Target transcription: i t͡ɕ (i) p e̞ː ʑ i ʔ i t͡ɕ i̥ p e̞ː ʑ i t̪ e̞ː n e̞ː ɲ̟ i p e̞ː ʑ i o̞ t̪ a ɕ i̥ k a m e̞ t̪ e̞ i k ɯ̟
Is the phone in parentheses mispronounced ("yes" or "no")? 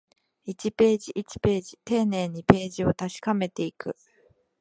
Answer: no